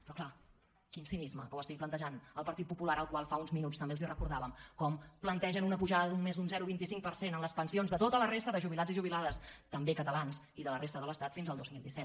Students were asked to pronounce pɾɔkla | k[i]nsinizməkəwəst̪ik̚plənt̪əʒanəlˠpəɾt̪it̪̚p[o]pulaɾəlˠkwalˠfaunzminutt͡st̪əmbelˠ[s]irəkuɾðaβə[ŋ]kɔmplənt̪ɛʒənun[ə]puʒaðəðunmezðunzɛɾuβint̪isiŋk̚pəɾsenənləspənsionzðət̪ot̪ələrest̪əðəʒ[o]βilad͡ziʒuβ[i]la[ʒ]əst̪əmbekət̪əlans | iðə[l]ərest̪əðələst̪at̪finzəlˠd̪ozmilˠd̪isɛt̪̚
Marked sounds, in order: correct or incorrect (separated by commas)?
correct, incorrect, incorrect, incorrect, correct, incorrect, correct, incorrect, correct